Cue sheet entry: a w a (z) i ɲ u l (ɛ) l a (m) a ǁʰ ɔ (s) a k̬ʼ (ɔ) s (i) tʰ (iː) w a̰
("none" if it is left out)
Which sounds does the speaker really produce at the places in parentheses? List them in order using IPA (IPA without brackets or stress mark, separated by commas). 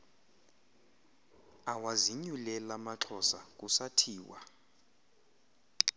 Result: z, ɛ, m, s, u, a, iː